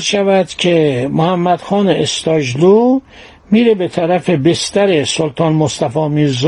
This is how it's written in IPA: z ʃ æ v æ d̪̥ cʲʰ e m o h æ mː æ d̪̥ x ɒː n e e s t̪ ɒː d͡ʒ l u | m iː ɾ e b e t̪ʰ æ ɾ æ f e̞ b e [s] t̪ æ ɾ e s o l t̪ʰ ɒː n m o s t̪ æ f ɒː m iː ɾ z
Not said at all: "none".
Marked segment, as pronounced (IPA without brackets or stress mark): s